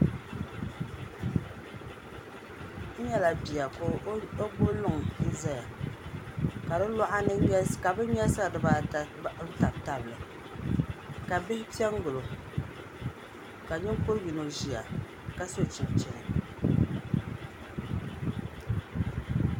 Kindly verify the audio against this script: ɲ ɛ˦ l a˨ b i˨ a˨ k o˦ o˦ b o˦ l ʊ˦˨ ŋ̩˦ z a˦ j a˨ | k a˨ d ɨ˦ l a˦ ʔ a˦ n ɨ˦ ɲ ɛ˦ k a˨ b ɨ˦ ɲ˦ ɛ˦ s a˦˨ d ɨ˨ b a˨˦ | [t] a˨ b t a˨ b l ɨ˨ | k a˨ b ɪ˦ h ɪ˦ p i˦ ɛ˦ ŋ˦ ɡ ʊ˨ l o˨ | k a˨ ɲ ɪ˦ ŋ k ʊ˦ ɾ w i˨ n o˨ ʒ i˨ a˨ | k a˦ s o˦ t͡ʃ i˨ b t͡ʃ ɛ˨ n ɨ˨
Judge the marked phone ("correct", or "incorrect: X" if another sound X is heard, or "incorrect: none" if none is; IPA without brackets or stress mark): correct